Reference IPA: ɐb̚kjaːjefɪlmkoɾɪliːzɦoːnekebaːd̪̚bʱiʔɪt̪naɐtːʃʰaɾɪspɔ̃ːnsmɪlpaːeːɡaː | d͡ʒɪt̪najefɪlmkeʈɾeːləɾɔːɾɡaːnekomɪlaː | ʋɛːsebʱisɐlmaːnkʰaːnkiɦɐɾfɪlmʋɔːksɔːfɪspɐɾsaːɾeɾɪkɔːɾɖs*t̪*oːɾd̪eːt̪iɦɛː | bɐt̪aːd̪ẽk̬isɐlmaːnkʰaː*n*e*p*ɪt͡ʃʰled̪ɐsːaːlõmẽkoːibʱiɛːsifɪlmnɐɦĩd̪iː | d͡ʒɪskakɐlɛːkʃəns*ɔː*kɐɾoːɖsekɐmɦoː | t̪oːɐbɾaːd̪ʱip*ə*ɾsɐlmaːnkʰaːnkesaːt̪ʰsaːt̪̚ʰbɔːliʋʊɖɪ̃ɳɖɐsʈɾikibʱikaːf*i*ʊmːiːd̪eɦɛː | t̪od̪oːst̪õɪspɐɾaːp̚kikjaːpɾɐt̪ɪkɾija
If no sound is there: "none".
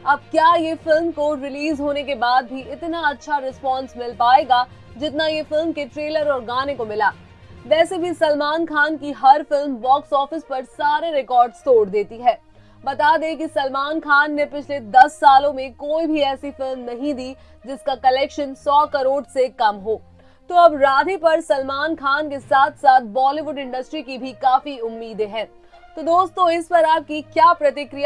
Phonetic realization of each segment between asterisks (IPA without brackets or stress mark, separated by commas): t̪, nː, p, ɔː, ɐ, i